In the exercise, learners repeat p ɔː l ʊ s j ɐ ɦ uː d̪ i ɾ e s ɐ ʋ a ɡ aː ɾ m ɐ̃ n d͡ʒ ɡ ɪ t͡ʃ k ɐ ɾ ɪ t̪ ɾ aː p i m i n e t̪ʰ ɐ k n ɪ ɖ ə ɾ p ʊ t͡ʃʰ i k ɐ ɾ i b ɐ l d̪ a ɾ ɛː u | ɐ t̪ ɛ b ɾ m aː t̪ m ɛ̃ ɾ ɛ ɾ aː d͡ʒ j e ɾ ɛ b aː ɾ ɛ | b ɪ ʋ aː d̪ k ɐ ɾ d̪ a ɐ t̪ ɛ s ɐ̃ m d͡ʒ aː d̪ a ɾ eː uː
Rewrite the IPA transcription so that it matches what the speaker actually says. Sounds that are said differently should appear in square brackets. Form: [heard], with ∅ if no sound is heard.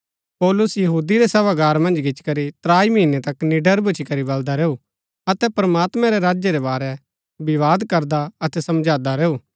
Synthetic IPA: p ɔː l ʊ s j ɐ ɦ uː d̪ i ɾ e s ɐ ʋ a ɡ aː ɾ m ɐ̃ n d͡ʒ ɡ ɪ t͡ʃ k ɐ ɾ [i] t̪ ɾ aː [∅] i m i n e [t̪] ɐ k n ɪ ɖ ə ɾ [b] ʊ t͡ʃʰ i k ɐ ɾ i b ɐ l d̪ a ɾ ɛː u | ɐ t̪ ɛ [p] ɾ m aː t̪ m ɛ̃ ɾ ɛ ɾ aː d͡ʒ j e ɾ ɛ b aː ɾ ɛ | b ɪ ʋ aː d̪ k ɐ ɾ d̪ a ɐ t̪ ɛ s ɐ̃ m d͡ʒ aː d̪ a ɾ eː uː